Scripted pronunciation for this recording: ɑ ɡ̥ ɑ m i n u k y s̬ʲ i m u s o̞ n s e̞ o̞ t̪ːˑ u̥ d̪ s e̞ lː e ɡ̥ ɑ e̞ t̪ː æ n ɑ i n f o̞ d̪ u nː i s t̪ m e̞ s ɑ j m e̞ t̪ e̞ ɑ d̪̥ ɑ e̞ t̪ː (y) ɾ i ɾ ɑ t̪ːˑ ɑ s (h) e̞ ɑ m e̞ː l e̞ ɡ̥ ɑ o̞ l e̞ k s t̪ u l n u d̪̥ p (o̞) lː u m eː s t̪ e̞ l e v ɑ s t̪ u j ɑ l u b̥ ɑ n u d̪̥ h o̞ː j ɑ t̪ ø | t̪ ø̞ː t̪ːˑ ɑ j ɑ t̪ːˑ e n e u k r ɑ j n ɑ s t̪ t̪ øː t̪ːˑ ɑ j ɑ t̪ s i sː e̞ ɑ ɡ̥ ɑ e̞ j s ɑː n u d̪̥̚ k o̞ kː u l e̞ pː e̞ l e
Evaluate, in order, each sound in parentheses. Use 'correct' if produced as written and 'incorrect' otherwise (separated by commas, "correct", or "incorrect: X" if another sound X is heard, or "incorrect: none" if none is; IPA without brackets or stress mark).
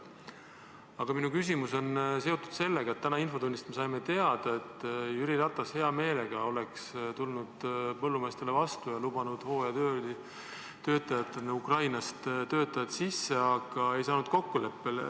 correct, correct, incorrect: ɤ̞